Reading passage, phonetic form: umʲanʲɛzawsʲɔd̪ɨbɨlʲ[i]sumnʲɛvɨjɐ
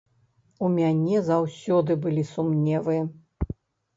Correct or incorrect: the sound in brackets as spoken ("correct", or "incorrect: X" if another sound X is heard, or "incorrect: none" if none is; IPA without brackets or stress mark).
correct